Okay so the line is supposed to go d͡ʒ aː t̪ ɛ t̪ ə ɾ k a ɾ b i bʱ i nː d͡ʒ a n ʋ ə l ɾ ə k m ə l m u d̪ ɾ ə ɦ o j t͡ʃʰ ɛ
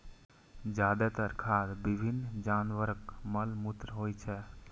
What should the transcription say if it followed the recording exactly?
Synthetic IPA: d͡ʒ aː d̪ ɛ t̪ ə ɾ kʰ a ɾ b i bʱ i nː d͡ʒ a n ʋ ə ɾ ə k m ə l m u t̪ ɾ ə ɦ o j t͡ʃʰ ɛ